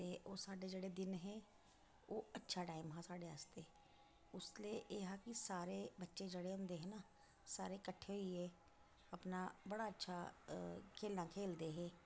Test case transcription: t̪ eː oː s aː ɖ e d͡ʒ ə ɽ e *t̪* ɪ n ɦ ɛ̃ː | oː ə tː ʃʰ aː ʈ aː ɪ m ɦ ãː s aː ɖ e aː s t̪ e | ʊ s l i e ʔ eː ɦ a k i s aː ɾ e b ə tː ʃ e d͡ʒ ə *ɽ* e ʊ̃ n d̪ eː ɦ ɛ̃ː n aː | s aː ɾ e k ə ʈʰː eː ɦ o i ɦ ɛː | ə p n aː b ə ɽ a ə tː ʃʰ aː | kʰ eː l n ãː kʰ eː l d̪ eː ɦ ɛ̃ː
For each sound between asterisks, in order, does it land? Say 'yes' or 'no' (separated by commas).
no, yes